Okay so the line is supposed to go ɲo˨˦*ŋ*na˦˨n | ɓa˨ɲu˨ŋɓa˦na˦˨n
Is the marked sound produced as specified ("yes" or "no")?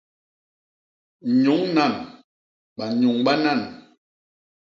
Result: yes